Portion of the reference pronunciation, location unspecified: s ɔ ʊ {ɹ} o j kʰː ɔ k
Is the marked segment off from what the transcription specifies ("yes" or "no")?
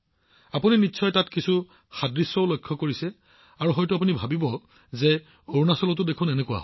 yes